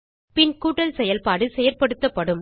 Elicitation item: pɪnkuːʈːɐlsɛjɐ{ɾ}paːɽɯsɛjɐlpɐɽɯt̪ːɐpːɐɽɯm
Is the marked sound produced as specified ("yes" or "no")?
no